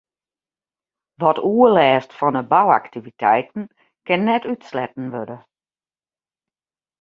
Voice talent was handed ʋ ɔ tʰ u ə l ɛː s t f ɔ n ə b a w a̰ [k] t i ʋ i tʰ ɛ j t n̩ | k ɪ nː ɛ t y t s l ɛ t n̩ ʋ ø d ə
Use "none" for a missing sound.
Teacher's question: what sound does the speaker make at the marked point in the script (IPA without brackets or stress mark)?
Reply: k